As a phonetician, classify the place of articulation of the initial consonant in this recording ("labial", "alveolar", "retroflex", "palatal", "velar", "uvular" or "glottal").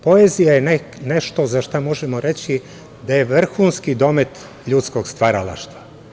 labial